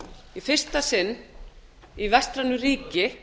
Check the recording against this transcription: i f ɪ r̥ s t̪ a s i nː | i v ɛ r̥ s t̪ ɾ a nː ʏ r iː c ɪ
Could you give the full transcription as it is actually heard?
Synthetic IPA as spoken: i f ɪ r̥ s t̪ a s ɪ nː | i v ɛ s t̪ ɾ a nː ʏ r iː c ɪ